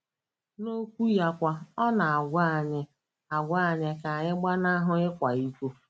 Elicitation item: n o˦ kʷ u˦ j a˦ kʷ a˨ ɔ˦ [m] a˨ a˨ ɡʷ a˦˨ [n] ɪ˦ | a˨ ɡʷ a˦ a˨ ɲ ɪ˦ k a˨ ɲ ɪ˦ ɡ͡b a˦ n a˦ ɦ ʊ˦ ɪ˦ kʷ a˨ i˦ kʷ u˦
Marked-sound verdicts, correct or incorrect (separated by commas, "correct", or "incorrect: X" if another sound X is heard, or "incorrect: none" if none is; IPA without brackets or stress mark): incorrect: n, incorrect: ɲ